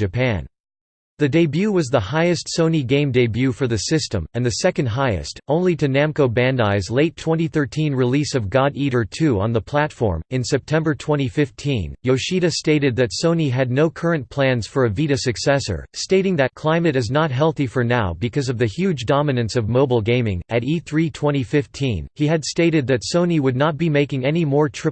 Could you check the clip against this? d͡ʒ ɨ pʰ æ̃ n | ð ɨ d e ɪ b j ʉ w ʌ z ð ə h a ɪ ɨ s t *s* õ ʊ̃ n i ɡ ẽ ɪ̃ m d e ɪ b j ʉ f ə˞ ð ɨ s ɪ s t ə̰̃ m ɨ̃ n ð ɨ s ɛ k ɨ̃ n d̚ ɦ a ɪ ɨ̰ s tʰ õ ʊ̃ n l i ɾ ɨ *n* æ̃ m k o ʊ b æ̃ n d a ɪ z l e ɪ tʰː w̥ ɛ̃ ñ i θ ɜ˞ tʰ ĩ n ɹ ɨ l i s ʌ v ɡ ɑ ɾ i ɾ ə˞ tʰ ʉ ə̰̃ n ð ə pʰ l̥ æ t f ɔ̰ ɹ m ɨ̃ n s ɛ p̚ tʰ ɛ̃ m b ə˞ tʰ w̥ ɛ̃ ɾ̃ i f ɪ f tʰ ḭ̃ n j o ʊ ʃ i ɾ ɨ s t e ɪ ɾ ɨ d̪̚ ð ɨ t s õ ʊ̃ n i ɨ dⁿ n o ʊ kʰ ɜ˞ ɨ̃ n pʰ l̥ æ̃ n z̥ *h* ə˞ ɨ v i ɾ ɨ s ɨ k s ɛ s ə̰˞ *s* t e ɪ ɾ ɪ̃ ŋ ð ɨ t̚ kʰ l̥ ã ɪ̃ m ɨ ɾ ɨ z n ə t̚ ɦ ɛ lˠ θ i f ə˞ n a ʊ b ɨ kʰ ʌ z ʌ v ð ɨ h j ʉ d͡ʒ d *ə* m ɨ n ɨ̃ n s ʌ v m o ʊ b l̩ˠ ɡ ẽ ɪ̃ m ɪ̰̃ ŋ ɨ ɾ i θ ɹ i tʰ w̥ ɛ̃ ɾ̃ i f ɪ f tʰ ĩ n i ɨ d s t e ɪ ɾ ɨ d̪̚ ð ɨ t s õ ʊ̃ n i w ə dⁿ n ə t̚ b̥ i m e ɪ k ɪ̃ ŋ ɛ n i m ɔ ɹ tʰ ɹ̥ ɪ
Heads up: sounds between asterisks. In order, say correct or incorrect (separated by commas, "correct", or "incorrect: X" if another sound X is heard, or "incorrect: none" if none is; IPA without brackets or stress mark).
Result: correct, correct, incorrect: f, correct, incorrect: ɑ